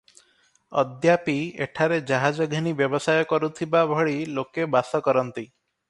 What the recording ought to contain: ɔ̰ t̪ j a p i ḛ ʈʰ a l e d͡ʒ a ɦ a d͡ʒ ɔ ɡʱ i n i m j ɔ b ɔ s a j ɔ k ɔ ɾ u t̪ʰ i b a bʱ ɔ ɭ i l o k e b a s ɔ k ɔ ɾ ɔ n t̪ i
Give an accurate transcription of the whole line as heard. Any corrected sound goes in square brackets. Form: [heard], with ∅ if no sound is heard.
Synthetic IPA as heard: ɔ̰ [d̪] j a p i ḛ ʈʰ a [ɾ] e d͡ʒ a ɦ a d͡ʒ ɔ ɡʱ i n i [b] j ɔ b ɔ s a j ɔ k ɔ ɾ u t̪ʰ i b a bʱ ɔ ɭ i l o k e b a s ɔ k ɔ ɾ ɔ n t̪ i

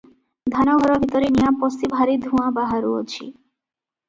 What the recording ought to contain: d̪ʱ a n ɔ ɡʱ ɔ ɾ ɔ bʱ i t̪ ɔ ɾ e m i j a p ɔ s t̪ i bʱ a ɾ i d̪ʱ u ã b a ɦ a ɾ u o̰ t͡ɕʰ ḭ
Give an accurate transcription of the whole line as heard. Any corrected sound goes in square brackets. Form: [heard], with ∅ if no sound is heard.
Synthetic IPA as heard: d̪ʱ a n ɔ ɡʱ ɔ ɾ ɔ bʱ i t̪ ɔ ɾ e [n] i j a p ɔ s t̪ i bʱ a ɾ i d̪ʱ u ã b a ɦ a ɾ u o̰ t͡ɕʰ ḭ

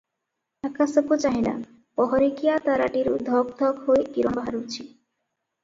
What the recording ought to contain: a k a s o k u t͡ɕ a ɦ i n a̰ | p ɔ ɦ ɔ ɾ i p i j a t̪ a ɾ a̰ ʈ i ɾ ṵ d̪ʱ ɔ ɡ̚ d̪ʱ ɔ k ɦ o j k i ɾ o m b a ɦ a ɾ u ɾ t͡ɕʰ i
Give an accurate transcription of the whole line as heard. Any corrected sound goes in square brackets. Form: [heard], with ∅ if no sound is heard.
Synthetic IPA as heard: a k a s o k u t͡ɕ a ɦ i n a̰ | p ɔ ɦ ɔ ɾ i [k] i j a t̪ a ɾ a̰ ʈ i ɾ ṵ d̪ʱ ɔ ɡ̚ d̪ʱ ɔ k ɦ o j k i ɾ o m b a ɦ a ɾ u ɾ t͡ɕʰ i

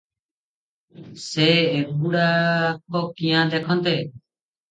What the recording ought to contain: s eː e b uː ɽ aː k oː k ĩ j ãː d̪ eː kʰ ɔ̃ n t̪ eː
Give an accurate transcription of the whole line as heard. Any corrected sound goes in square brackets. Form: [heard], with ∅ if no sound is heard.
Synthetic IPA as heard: s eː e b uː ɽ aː k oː k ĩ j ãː d̪ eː kʰ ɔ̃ n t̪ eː

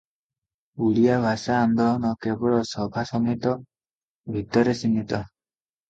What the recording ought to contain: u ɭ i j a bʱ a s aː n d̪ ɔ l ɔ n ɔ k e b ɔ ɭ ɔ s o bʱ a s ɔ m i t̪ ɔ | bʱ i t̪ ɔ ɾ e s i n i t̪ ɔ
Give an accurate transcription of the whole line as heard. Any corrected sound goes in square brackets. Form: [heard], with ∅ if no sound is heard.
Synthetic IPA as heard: u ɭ i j a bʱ a s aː n d̪ ɔ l ɔ n ɔ k e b ɔ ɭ ɔ s [ɔ] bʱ a s ɔ m i t̪ ɔ | bʱ i t̪ ɔ ɾ e s i n i t̪ ɔ

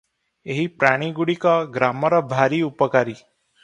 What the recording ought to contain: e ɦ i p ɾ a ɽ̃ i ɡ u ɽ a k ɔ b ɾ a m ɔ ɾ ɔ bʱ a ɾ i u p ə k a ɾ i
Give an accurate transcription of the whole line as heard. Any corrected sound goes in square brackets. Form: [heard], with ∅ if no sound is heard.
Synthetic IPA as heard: e ɦ i p ɾ a ɽ̃ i ɡ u ɽ [i] k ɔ [ɡ] ɾ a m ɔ ɾ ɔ bʱ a ɾ i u p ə k a ɾ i

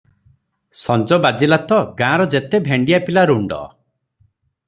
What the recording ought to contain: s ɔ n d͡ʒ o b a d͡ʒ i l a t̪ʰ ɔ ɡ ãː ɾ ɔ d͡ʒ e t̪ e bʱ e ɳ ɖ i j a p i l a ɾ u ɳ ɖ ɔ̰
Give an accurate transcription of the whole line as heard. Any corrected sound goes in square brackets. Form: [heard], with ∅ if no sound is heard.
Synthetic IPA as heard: s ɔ n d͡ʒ [ɔ] b a d͡ʒ i l a [t̪] ɔ ɡ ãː ɾ ɔ d͡ʒ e t̪ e bʱ e ɳ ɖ i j a p i l a ɾ u ɳ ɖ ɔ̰

